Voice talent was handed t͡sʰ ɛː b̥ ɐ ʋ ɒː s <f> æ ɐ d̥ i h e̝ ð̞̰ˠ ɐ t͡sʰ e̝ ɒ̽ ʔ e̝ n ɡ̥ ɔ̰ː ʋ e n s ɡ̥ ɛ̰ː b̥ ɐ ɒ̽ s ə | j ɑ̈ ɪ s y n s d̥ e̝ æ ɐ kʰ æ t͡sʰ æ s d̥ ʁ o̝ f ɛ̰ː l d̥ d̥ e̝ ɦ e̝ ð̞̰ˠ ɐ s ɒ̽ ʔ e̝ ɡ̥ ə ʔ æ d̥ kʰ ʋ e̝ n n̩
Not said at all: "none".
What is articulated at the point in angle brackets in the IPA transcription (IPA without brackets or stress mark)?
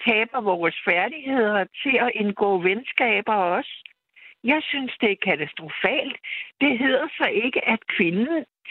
f